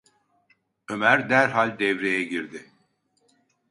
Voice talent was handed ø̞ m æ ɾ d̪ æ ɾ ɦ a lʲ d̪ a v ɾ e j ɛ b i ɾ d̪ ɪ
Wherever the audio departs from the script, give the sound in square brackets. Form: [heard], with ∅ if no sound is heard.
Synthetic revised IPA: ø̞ m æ ɾ d̪ æ ɾ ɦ a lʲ d̪ [ɛ] v ɾ e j ɛ [ɟ] i ɾ d̪ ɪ